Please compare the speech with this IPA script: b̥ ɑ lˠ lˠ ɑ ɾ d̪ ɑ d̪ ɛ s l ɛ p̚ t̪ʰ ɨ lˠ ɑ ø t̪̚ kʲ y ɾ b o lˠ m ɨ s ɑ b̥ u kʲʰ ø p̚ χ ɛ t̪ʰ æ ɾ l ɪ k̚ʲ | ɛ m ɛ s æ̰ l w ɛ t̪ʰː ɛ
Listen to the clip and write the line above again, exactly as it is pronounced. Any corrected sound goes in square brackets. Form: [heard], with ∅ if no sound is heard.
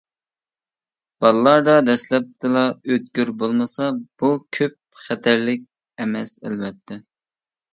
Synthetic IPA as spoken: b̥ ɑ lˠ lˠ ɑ ɾ d̪ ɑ d̪ ɛ s l ɛ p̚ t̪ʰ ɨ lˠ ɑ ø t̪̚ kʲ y ɾ b o lˠ m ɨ s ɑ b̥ u kʲʰ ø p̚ χ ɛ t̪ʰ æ ɾ l ɪ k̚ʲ | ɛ m ɛ s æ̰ l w ɛ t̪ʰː ɛ